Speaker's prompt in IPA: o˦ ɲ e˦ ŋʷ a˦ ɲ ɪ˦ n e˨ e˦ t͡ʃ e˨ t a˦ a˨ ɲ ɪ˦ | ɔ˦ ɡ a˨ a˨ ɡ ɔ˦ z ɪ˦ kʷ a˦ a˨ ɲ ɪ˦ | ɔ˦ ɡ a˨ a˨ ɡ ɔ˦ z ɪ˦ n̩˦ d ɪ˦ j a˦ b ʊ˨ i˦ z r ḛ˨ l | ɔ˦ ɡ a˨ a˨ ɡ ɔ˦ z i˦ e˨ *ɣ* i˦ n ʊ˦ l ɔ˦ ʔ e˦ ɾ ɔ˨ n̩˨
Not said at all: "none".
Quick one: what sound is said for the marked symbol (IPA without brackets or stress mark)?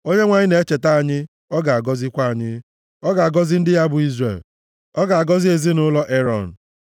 z